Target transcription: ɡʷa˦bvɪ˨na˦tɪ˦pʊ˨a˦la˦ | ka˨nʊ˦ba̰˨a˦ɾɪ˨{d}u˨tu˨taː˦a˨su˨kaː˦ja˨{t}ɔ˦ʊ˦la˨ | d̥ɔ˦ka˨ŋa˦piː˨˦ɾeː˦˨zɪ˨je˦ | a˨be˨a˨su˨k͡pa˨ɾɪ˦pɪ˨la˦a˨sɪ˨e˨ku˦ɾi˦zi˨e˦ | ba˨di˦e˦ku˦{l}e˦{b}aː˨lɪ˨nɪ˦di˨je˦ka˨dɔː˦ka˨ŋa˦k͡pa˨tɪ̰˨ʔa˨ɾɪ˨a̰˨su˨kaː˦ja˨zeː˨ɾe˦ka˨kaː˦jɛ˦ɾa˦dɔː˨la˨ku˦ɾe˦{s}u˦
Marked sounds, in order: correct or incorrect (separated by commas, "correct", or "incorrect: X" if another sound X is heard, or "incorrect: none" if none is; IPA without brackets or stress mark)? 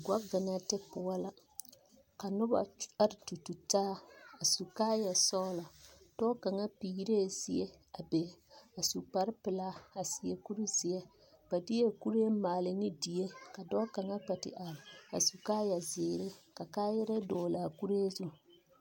incorrect: t, incorrect: s, incorrect: ɾ, incorrect: m, incorrect: z